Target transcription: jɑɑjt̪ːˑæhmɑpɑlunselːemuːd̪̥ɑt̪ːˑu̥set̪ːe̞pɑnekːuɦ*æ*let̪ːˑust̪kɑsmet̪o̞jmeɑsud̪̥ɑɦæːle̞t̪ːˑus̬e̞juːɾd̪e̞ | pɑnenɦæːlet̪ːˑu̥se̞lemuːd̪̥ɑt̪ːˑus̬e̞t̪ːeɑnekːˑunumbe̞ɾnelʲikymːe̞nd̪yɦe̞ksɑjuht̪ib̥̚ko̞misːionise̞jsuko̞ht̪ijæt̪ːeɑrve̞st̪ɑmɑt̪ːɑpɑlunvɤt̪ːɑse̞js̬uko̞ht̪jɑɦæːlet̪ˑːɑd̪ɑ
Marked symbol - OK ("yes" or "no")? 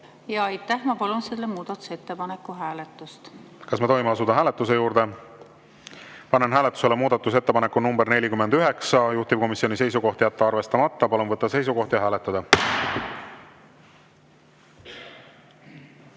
no